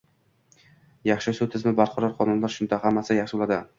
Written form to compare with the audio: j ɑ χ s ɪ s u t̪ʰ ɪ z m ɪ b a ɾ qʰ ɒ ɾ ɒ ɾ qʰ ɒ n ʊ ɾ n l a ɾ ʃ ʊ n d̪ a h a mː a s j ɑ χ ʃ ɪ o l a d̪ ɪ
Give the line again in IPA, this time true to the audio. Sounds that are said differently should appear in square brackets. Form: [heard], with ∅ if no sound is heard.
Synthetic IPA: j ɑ χ [ʃ] ɪ s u t̪ʰ ɪ z m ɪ b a ɾ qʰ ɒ ɾ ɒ ɾ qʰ ɒ n ʊ [∅] n l a ɾ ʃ ʊ n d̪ a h a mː a s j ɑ χ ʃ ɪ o l a d̪ ɪ